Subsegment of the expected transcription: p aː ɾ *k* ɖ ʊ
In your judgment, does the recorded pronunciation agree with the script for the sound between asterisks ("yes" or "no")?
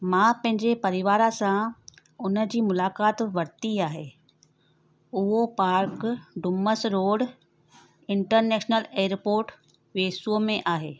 yes